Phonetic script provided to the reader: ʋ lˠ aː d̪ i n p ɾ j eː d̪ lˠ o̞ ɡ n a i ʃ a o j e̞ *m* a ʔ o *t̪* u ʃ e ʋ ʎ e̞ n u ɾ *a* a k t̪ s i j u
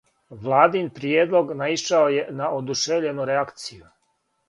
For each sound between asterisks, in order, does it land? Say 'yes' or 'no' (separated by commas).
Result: no, no, no